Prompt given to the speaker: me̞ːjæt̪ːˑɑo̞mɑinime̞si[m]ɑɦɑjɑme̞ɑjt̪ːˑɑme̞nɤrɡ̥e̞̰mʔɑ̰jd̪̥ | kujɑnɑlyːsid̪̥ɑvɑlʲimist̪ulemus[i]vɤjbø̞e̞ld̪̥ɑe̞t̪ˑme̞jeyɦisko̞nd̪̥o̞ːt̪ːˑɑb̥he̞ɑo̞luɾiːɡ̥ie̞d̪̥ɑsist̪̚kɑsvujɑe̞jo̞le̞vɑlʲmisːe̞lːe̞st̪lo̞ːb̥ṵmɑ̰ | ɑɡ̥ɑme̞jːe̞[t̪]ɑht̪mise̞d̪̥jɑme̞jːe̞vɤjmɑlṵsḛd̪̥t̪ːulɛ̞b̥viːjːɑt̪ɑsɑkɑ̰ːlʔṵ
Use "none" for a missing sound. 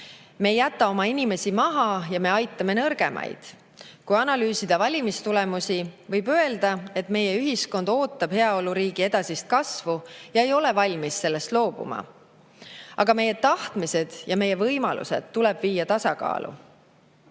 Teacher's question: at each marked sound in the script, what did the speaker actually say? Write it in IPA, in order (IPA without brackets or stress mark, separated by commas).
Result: m, i, t̪